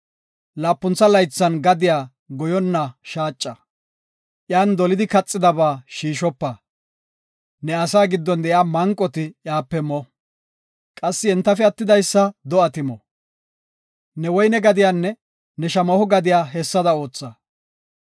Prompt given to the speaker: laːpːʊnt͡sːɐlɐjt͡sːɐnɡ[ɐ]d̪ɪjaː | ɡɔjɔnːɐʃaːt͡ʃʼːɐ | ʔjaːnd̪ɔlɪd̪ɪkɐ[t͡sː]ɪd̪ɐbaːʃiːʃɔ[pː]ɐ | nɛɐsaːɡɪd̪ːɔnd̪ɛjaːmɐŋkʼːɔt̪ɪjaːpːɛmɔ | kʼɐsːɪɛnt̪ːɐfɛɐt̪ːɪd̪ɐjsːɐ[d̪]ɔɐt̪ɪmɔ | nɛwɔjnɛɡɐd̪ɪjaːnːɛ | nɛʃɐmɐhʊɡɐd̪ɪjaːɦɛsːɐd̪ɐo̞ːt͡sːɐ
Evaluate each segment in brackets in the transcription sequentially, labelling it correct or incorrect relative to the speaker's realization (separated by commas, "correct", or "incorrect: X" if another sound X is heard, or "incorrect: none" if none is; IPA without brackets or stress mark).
correct, incorrect: t͡sʼː, correct, correct